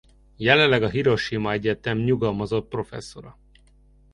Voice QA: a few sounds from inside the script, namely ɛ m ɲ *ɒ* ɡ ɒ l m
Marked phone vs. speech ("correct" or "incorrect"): incorrect